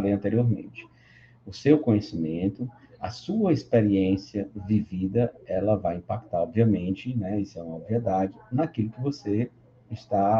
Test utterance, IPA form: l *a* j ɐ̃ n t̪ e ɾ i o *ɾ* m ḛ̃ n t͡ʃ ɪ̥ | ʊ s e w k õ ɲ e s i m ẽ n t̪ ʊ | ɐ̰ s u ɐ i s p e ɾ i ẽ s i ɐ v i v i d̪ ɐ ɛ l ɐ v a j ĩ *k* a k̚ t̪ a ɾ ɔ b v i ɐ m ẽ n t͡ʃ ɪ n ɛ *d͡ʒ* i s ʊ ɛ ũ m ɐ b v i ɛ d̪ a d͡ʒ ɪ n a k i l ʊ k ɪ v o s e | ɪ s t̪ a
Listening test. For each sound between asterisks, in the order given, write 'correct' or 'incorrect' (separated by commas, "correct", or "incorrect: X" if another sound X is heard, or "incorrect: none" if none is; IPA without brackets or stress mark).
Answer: incorrect: e, correct, incorrect: p, incorrect: none